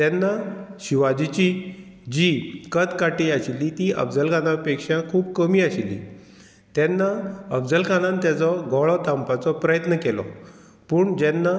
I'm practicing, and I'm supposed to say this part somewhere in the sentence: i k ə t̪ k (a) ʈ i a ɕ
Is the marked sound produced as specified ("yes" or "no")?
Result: yes